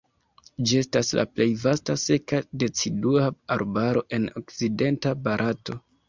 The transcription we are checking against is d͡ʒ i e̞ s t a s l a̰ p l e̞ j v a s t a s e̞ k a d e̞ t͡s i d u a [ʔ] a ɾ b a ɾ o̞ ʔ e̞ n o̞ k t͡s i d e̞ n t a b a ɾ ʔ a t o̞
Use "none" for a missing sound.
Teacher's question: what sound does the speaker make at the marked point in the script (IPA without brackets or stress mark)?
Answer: none